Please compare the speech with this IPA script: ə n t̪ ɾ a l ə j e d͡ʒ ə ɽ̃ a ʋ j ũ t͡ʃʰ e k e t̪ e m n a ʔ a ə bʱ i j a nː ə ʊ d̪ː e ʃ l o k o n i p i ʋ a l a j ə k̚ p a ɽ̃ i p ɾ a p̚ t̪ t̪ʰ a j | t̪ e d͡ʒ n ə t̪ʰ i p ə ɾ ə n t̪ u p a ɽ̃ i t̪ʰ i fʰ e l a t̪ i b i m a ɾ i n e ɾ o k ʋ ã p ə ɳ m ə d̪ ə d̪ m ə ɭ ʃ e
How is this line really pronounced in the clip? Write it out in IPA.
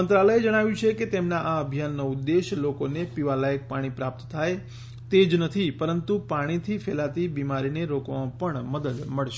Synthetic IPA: ə n t̪ ɾ a l ə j e d͡ʒ ə ɽ̃ a ʋ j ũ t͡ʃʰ e k e t̪ e m n a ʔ a ə bʱ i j a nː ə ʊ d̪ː e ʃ l o k o n e p i ʋ a l a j ə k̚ p a ɽ̃ i p ɾ a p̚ t̪ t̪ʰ a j | t̪ e d͡ʒ n ə t̪ʰ i p ə ɾ ə n t̪ u p a ɽ̃ i t̪ʰ i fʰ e l a t̪ i b i m a ɾ i n e ɾ o k ʋ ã p ə ɳ m ə d̪ ə d̪ m ə ɭ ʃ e